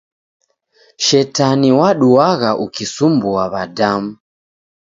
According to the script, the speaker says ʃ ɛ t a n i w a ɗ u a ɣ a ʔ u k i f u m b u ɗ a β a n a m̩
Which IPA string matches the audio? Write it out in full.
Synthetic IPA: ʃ ɛ t a n i w a ɗ u a ɣ a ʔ u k i s u m b u a β a d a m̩